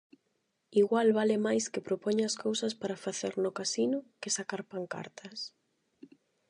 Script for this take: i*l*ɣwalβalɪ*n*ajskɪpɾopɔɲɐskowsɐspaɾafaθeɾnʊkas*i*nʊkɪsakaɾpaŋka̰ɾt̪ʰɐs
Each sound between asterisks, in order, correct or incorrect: incorrect: none, incorrect: m, correct

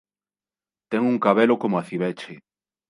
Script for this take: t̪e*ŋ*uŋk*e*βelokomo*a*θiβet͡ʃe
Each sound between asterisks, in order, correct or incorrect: correct, incorrect: a, correct

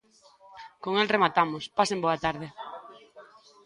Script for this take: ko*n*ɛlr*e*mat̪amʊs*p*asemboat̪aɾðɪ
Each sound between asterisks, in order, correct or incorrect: incorrect: ŋ, correct, correct

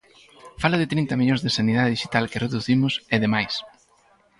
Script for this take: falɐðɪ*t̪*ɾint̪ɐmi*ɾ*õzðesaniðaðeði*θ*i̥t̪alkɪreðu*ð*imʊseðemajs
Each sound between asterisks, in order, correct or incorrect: correct, incorrect: ʎ, incorrect: ʃ, incorrect: θ

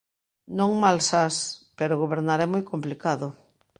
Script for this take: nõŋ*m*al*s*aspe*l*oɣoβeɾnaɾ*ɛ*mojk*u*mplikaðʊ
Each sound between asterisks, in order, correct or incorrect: correct, correct, incorrect: ɾ, correct, incorrect: o

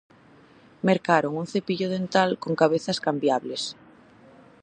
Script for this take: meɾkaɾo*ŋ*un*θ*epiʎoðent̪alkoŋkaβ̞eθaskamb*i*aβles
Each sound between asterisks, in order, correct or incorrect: correct, correct, incorrect: j

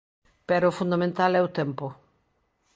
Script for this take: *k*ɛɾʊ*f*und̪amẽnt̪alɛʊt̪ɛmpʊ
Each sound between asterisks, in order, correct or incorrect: incorrect: p, correct

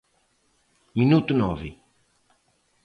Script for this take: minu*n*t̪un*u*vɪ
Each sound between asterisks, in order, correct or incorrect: incorrect: none, incorrect: ɔ

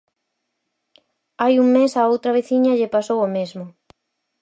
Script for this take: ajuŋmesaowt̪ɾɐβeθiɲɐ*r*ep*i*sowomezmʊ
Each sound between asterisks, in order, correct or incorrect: incorrect: ʎ, incorrect: a

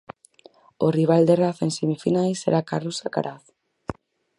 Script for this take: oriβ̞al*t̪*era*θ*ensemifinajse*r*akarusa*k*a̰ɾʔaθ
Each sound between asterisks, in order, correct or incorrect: incorrect: d̪, correct, incorrect: ɾ, correct

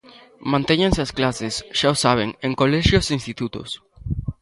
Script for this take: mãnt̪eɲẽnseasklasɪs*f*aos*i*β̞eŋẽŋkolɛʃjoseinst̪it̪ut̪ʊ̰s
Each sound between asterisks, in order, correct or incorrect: incorrect: ʃ, incorrect: a

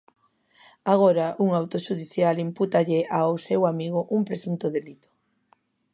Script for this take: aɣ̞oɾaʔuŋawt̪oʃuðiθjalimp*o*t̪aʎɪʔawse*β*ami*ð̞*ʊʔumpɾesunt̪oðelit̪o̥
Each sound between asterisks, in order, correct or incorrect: incorrect: u, incorrect: w, incorrect: ɣ̞

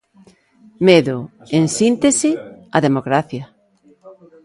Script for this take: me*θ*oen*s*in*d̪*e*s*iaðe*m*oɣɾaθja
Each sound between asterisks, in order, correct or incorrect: incorrect: ð, correct, incorrect: t̪, correct, correct

